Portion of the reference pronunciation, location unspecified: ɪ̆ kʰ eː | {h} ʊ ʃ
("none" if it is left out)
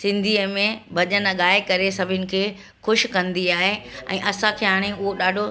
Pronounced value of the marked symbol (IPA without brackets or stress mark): x